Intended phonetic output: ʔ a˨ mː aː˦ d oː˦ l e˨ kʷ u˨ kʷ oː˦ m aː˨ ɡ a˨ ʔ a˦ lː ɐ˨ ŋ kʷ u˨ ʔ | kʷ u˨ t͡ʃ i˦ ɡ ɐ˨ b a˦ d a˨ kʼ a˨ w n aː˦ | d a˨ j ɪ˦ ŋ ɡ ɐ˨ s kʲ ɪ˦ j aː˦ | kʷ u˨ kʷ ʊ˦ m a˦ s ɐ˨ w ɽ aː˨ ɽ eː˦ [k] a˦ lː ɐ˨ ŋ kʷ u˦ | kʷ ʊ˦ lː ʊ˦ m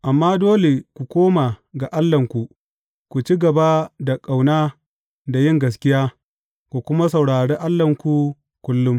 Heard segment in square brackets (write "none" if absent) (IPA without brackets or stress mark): ʔ